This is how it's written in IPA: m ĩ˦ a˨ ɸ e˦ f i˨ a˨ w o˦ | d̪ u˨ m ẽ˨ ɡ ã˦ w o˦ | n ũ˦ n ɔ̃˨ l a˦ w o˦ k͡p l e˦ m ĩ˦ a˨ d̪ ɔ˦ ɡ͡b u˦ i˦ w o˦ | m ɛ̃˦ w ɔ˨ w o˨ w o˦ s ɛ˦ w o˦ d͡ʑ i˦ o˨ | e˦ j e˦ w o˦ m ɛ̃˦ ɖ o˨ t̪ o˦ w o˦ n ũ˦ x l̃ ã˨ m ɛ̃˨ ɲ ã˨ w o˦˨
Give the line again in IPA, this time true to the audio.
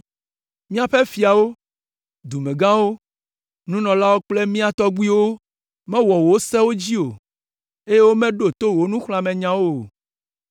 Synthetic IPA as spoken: m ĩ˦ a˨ ɸ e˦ f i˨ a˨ w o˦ | d̪ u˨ m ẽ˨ ɡ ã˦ w o˦ | n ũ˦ n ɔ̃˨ l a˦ w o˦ k͡p l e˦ m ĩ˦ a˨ t̪ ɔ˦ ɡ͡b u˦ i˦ w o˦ | m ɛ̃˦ w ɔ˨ w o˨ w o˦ s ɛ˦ w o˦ d͡ʑ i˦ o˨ | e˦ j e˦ w o˦ m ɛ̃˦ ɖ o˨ t̪ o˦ w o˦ n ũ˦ x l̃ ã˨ m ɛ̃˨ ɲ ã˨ w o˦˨

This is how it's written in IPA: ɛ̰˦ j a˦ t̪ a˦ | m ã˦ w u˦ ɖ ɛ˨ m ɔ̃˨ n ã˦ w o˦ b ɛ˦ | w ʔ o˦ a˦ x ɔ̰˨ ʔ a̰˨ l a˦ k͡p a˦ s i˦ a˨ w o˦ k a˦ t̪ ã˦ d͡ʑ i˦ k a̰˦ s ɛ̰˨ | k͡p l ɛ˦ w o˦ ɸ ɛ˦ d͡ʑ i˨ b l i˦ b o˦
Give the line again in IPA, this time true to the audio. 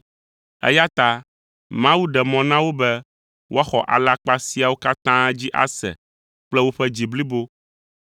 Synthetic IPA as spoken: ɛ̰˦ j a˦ t̪ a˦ | m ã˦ w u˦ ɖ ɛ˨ m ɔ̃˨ n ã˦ w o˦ b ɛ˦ | w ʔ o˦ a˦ x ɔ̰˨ ʔ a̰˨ l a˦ k͡p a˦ s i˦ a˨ w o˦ k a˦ t̪ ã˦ d͡ʑ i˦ ʔ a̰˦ s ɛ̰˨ | k͡p l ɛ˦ w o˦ ɸ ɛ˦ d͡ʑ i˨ b l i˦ b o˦

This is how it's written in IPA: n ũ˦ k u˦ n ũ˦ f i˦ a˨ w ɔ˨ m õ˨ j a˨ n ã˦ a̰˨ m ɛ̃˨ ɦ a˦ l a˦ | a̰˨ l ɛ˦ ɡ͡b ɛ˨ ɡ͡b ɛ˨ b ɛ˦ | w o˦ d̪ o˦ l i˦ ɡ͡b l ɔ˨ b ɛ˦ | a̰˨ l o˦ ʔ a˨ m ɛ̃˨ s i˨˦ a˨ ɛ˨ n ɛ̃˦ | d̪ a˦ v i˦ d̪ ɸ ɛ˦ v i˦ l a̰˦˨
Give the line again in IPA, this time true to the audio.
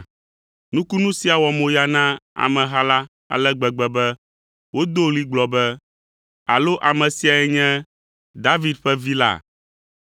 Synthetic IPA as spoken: n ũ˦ k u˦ n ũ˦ s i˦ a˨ w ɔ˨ m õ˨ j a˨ n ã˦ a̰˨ m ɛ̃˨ ɦ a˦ l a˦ | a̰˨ l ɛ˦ ɡ͡b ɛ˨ ɡ͡b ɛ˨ b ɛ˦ | w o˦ d̪ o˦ l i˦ ɡ͡b l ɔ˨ b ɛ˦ | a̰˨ l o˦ ʔ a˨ m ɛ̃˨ s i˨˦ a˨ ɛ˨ ɲ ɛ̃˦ | d̪ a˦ v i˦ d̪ ɸ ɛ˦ v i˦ l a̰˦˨

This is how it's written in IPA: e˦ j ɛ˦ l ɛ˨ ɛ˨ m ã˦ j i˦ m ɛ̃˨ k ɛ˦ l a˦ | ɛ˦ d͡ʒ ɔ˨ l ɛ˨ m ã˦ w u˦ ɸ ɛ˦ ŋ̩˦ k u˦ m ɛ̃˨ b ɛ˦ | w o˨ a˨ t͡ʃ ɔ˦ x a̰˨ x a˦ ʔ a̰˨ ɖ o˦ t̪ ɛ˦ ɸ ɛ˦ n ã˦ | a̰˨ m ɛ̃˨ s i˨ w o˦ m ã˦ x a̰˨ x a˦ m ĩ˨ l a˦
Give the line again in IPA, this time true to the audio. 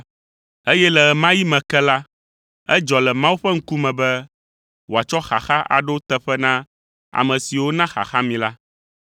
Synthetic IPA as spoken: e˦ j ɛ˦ l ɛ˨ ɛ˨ m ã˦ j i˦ m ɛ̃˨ k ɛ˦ l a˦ | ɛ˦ d͡ʒ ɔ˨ l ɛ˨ m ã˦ w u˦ ɸ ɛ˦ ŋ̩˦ k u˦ m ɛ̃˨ b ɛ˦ | w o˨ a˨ t͡ʃ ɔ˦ x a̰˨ x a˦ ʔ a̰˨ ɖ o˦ t̪ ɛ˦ ɸ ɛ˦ n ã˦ | a̰˨ m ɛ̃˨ s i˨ w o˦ n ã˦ x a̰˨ x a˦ m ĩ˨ l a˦

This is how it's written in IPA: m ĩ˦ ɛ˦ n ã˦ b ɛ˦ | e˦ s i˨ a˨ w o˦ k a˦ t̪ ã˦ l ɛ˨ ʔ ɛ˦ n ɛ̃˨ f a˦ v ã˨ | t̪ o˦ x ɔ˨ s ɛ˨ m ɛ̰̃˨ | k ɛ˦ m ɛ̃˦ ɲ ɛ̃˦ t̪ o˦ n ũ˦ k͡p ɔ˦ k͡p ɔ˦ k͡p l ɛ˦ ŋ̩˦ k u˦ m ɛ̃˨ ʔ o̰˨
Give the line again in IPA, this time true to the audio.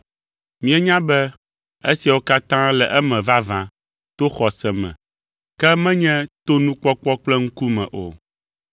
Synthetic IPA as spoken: m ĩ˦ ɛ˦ ɲ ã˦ b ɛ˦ | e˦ s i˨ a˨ w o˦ k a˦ t̪ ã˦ l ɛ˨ ʔ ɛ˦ m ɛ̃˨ v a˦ v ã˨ | t̪ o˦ x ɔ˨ s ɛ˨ m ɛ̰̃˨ | k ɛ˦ m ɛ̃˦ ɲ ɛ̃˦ t̪ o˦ n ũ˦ k͡p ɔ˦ k͡p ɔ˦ k͡p l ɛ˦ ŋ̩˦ k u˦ m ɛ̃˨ ʔ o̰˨

